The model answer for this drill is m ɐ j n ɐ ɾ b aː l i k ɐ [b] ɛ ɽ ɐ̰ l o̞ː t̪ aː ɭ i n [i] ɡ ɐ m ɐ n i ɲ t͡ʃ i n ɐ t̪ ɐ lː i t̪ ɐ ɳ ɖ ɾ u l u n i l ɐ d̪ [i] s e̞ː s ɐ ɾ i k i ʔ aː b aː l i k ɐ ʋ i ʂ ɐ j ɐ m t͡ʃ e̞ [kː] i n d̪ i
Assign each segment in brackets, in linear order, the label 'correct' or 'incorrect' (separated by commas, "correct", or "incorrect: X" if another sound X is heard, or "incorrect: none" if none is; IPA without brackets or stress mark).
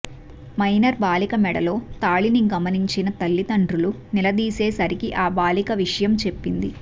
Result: incorrect: m, correct, incorrect: iː, incorrect: pː